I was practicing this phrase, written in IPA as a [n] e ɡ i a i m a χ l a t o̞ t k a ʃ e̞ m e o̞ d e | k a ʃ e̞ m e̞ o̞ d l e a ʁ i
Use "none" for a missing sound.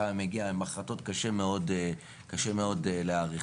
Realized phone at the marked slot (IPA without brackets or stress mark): m